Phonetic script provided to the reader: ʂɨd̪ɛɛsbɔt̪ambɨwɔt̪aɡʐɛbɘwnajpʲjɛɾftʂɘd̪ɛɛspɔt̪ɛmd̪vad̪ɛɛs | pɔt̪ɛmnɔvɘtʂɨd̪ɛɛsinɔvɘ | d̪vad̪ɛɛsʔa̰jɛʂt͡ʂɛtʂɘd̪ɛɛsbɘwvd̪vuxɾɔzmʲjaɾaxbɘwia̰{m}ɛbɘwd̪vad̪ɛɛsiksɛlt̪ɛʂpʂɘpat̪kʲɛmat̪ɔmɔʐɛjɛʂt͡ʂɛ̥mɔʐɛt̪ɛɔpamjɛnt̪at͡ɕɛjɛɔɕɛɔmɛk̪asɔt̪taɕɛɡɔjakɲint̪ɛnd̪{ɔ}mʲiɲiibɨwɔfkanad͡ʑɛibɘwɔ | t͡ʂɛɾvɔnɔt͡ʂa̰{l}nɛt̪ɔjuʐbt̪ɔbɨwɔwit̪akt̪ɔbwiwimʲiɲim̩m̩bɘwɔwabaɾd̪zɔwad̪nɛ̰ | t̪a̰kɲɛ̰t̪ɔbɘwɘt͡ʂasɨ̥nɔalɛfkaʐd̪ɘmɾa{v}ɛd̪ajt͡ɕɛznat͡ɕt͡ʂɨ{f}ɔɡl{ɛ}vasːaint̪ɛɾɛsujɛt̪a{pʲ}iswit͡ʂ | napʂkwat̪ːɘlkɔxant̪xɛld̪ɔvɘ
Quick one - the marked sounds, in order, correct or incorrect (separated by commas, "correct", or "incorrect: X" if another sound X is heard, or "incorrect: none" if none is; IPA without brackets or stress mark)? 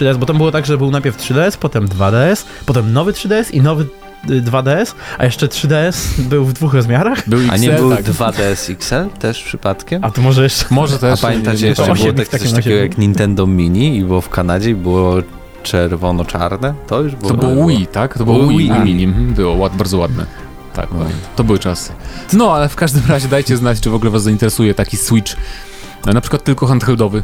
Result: incorrect: ɲ, correct, incorrect: ɾ, incorrect: ʑ, incorrect: v, correct, incorrect: kʲ